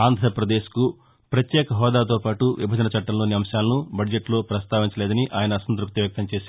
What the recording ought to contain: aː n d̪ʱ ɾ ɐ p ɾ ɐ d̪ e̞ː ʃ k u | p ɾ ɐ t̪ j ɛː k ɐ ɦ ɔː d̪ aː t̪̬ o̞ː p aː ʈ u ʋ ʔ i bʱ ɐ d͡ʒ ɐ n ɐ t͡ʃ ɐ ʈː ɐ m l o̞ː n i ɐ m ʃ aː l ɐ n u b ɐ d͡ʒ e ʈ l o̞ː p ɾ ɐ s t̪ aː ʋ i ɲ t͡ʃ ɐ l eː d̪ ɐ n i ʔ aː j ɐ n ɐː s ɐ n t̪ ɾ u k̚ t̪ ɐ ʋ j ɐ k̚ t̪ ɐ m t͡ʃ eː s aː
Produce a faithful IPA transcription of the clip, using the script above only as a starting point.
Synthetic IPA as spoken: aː n d̪ʱ ɾ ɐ p ɾ ɐ d̪ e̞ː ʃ k u | p ɾ ɐ t̪ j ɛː k ɐ ɦ ɔː d̪ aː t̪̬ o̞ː p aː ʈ u ʋ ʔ i bʱ ɐ d͡ʒ ɐ n ɐ t͡ʃ ɐ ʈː ɐ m l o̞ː n i ɐ m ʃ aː l ɐ n u b ɐ d͡ʒ e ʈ l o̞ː p ɾ ɐ s t̪ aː ʋ i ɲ t͡ʃ ɐ l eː d̪ ɐ n i ʔ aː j ɐ n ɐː s ɐ n t̪ ɾ u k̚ t̪ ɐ ʋ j ɐ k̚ t̪ ɐ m t͡ʃ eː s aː